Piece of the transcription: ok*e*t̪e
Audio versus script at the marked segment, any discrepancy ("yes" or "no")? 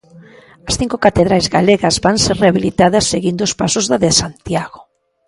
yes